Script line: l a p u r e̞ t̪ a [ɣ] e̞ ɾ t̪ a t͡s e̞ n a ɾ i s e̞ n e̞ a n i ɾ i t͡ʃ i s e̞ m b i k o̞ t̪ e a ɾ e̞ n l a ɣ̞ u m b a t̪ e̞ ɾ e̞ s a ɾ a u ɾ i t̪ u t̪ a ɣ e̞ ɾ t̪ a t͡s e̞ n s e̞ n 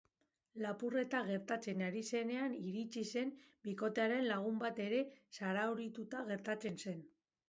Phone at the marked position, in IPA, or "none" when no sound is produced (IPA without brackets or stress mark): ɣ